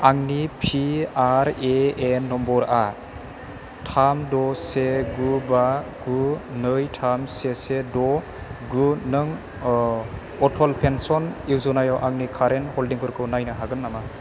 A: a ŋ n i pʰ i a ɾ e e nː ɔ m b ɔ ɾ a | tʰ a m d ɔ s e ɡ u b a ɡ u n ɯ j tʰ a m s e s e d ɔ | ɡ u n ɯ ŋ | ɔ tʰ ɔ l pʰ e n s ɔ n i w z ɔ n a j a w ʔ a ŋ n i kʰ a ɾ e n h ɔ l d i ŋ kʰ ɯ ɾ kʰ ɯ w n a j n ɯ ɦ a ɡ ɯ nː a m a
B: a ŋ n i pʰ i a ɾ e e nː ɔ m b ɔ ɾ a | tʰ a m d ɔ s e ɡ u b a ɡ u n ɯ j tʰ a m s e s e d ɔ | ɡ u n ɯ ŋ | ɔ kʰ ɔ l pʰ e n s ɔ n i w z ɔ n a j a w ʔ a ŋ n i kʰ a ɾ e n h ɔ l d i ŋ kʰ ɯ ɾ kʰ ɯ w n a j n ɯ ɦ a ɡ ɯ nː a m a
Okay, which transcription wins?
A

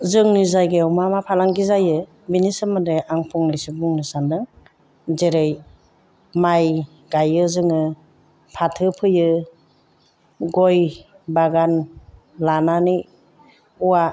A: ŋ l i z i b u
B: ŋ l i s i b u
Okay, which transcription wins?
B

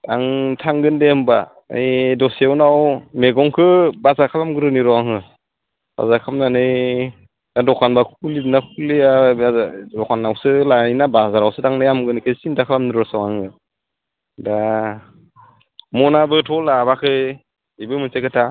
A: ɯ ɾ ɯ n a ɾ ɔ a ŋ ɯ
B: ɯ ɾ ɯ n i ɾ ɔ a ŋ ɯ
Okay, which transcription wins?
B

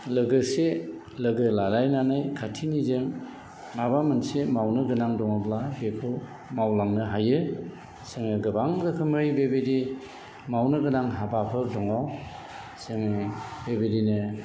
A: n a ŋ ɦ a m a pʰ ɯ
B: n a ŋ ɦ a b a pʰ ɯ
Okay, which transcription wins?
B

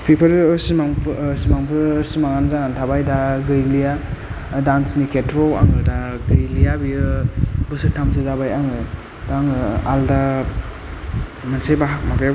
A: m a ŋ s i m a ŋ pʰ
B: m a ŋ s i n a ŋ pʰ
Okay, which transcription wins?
A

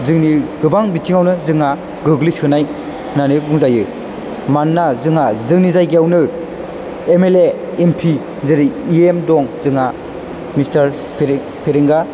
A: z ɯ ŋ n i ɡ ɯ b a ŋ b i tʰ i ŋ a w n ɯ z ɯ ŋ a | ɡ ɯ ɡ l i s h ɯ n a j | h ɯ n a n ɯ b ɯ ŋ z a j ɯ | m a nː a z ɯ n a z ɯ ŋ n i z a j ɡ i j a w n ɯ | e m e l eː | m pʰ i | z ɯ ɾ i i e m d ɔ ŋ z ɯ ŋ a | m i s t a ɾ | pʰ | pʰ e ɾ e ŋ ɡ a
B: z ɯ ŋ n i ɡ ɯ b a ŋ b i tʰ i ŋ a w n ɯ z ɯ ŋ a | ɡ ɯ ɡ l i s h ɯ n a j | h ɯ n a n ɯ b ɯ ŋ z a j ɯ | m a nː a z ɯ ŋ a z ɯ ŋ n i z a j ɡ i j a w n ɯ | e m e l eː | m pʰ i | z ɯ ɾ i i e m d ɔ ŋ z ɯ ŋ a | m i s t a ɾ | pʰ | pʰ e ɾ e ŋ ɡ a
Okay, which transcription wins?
B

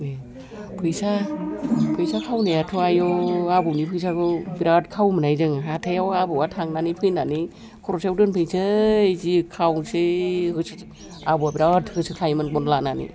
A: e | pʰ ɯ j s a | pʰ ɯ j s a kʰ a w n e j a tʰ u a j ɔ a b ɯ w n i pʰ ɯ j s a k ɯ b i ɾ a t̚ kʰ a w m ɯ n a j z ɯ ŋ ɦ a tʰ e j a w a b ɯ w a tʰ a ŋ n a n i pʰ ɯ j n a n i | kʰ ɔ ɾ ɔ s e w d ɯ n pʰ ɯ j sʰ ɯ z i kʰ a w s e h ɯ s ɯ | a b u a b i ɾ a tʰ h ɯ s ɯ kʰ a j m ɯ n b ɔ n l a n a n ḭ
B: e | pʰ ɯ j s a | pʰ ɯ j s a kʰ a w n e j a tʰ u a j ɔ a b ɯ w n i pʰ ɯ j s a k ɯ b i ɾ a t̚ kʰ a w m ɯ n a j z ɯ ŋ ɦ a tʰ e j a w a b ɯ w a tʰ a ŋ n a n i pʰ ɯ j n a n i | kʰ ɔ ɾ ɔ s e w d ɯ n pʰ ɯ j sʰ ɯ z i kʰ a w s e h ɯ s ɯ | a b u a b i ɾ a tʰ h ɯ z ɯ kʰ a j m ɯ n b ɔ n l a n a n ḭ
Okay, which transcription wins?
A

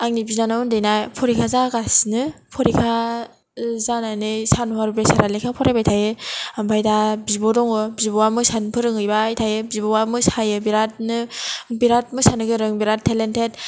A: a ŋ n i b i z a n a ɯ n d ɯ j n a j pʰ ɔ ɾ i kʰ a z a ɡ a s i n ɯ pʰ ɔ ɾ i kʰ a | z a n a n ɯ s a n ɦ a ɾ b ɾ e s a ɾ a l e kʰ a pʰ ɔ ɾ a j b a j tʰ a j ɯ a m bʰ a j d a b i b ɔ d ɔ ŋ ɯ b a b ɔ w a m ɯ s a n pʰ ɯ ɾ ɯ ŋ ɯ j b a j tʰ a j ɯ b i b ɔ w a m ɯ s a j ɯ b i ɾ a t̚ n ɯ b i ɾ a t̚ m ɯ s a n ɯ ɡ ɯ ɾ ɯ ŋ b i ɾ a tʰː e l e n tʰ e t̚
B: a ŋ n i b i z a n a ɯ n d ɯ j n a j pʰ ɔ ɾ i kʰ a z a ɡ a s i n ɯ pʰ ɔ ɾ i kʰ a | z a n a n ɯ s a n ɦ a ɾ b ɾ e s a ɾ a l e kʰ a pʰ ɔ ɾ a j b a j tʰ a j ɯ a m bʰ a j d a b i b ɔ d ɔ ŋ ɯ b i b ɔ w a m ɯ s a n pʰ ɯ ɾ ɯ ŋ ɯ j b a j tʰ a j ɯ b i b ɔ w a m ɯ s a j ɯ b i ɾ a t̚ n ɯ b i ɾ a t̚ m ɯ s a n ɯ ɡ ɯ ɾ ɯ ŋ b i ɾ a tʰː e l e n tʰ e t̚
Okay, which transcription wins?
B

